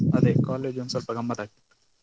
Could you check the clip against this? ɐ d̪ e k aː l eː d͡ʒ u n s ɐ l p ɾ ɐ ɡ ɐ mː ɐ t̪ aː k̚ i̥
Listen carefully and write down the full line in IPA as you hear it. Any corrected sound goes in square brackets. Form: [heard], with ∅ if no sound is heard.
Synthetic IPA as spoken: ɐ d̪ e k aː l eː d͡ʒ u n s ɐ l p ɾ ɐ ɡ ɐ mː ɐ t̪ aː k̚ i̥